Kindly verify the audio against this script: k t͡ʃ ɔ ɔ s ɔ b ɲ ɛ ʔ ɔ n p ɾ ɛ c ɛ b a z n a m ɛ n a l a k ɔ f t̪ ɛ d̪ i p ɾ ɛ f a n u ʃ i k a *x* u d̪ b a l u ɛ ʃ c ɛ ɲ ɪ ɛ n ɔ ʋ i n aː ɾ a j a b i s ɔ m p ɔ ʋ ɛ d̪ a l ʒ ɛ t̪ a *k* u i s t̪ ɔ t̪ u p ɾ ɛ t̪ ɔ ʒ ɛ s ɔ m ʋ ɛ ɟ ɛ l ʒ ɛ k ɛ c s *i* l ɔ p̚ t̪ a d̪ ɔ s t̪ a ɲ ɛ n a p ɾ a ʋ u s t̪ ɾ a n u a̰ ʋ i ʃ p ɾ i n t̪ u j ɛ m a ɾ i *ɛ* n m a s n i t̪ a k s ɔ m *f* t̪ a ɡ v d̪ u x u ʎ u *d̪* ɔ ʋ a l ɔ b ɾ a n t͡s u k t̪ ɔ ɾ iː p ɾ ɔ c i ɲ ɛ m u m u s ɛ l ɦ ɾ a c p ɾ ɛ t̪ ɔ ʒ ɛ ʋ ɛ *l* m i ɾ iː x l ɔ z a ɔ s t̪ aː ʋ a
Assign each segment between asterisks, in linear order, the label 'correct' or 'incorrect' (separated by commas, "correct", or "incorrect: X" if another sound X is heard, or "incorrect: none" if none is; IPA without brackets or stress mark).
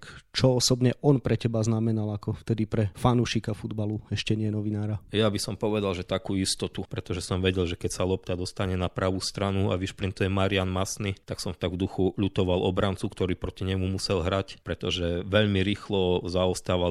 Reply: incorrect: f, correct, incorrect: a, incorrect: a, correct, incorrect: t̪, incorrect: ʎ